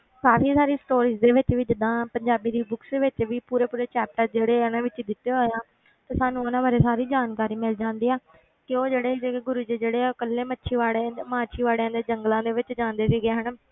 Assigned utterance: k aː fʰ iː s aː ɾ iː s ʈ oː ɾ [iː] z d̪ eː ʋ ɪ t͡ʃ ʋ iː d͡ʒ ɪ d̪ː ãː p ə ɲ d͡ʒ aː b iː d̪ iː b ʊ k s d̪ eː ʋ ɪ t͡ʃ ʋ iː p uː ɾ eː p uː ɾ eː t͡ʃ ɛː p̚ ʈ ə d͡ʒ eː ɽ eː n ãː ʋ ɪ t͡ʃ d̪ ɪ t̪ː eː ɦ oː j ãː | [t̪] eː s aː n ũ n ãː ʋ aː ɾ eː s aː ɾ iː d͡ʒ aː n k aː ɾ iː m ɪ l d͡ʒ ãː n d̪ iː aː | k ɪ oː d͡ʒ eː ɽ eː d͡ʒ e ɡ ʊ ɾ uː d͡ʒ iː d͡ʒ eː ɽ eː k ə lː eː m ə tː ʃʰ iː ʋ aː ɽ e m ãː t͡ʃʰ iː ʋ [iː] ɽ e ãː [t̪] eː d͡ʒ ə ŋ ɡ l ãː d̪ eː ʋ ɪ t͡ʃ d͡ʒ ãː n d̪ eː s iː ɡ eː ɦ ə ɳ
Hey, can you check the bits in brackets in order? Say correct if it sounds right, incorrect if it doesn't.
correct, correct, incorrect: aː, incorrect: d̪

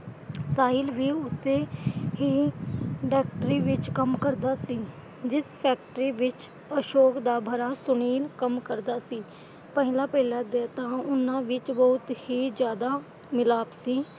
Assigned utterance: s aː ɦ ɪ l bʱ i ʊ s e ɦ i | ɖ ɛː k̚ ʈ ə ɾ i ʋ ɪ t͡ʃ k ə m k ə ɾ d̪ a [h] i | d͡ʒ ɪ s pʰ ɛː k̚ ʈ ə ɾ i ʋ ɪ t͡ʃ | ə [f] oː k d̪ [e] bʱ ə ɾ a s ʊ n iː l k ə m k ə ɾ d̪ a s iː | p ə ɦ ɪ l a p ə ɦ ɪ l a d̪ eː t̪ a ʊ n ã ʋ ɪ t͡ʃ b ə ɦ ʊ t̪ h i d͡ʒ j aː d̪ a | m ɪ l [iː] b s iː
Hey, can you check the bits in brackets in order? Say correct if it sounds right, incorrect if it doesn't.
incorrect: s, incorrect: ʃ, incorrect: a, incorrect: aː

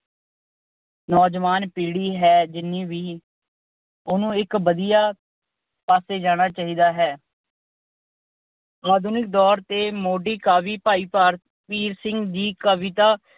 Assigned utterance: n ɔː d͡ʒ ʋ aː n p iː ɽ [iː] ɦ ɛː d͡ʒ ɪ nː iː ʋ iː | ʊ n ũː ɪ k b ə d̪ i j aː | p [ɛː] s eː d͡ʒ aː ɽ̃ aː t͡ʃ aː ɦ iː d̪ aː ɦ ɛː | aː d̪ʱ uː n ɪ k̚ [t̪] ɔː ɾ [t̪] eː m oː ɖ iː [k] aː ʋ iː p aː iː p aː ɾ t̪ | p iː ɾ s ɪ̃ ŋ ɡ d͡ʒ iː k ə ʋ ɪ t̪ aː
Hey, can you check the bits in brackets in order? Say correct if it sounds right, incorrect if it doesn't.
correct, incorrect: aː, incorrect: d̪, correct, correct

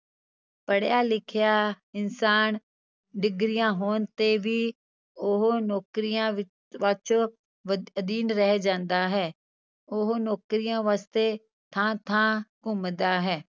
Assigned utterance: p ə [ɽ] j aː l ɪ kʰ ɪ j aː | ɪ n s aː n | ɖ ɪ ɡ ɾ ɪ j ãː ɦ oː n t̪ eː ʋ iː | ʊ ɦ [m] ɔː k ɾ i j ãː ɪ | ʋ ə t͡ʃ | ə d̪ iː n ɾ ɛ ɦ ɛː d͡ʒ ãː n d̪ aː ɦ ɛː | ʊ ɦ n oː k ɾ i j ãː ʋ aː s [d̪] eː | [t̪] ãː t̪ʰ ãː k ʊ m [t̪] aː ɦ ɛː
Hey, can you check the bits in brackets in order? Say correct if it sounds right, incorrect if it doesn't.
correct, incorrect: n, incorrect: t̪, incorrect: t̪ʰ, incorrect: d̪

